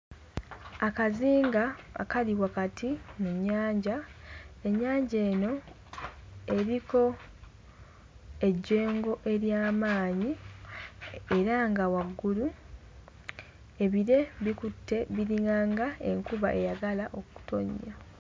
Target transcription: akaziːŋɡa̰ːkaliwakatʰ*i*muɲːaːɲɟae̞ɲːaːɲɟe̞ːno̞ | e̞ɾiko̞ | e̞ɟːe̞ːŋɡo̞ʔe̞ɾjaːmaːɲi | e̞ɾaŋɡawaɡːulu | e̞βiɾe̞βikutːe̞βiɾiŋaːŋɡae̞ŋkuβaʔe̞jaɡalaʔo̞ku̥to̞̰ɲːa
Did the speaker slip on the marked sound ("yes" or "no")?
no